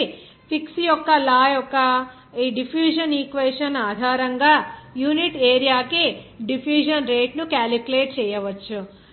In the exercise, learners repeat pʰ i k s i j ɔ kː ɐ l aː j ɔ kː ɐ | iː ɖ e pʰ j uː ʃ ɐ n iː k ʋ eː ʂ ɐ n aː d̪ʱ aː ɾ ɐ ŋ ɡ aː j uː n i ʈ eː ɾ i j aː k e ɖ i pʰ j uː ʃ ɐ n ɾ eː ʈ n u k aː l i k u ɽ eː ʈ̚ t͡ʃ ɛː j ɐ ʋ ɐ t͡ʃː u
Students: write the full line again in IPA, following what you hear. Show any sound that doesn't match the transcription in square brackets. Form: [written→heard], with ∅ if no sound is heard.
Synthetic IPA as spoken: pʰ i k s i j ɔ kː ɐ l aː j ɔ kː ɐ | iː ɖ [e→i] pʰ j uː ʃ ɐ n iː k ʋ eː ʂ ɐ n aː d̪ʱ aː ɾ ɐ ŋ ɡ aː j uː n i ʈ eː ɾ i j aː k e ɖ i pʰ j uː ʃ ɐ n ɾ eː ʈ n u k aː l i k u [ɽ→l] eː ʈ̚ t͡ʃ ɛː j ɐ ʋ ɐ t͡ʃː u